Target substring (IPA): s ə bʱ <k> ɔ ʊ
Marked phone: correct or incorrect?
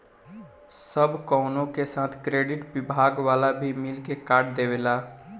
correct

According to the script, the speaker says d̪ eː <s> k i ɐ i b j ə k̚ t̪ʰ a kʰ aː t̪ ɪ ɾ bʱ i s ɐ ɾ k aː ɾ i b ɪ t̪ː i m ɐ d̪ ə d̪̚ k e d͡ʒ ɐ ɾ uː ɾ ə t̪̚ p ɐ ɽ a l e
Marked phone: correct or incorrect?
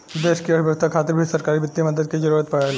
incorrect: ʃ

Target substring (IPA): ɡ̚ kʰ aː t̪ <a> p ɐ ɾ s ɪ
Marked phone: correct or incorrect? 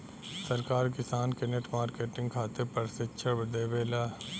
incorrect: e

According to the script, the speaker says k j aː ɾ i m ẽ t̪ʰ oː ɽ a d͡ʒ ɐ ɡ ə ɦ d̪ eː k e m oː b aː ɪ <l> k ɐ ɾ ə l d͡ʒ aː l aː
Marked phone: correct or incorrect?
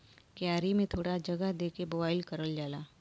correct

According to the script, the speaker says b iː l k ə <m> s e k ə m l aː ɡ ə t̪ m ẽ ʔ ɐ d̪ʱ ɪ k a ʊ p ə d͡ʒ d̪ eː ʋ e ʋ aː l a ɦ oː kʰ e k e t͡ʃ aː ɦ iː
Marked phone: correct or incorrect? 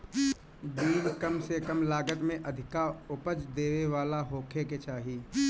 correct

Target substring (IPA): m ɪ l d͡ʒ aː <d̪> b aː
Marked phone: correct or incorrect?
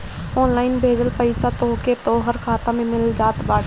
incorrect: t̪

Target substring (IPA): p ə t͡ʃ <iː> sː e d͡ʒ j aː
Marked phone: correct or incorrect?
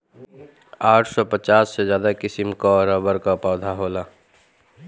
incorrect: aː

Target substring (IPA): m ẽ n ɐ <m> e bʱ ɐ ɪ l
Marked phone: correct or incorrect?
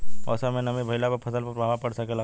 correct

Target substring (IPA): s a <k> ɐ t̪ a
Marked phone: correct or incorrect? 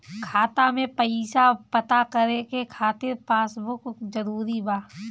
incorrect: p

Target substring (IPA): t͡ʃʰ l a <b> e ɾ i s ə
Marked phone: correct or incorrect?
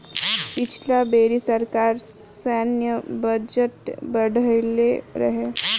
correct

